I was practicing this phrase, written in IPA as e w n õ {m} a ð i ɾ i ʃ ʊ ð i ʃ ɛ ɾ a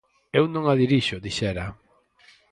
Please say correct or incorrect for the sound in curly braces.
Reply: incorrect